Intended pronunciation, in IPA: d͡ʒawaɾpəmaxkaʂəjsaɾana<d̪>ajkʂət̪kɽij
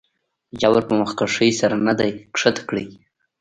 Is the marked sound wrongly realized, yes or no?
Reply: no